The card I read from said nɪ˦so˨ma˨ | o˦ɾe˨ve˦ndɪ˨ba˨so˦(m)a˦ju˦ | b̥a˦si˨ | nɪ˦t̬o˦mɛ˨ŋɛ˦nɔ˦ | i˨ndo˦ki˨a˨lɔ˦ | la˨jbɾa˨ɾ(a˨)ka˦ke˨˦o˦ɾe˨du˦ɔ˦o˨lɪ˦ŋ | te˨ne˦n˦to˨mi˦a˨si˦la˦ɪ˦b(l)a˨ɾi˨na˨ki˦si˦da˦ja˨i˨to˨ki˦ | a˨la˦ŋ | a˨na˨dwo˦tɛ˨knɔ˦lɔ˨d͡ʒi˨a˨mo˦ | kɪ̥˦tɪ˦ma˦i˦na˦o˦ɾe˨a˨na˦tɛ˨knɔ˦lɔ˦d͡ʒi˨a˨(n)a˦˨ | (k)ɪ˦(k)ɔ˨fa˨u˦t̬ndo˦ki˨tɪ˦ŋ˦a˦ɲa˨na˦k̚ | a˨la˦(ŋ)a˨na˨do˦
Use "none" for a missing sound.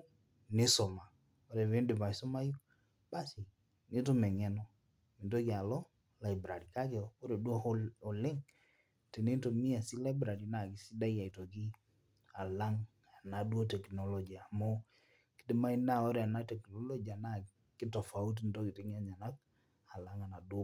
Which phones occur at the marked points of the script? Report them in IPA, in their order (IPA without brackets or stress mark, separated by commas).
m, i˨, ɾ, n, k, t, ŋ